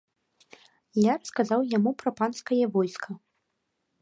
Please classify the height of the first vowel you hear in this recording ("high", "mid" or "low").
low